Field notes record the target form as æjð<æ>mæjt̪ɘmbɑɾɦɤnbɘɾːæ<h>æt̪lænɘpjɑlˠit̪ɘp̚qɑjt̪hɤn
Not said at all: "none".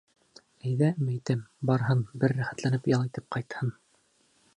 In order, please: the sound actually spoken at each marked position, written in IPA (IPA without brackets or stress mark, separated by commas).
æ, χ